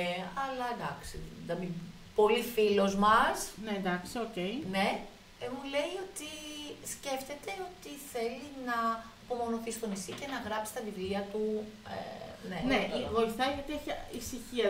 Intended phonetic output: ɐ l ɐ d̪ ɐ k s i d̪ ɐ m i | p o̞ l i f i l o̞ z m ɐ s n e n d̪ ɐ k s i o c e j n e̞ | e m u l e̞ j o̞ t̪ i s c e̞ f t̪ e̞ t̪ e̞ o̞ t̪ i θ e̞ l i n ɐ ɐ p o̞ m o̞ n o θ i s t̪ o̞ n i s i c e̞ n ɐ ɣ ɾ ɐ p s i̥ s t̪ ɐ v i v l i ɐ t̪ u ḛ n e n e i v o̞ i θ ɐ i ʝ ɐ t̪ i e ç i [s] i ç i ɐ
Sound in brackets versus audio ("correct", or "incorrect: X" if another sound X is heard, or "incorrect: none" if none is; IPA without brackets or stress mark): correct